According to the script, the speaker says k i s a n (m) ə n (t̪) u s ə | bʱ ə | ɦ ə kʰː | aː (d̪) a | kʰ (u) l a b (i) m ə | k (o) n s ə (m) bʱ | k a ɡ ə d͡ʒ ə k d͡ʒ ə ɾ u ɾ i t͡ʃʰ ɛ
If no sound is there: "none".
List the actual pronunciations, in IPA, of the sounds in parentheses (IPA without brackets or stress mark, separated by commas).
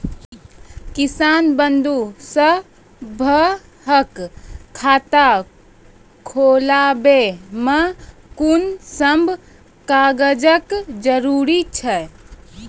b, d̪, t̪, o, e, u, m